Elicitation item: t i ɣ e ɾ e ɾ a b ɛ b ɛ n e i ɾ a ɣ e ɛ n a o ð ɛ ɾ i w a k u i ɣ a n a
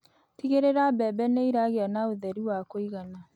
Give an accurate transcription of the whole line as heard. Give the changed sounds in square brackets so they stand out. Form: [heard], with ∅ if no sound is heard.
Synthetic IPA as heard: t i ɣ e ɾ e ɾ a b ɛ b ɛ n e i ɾ a ɣ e [a] n a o ð ɛ ɾ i w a k [o] i ɣ a n a